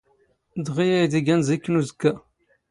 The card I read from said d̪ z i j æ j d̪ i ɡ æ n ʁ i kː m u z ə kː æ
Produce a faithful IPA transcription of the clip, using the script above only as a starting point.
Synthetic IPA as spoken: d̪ ʁ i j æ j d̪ i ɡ æ n z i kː n u z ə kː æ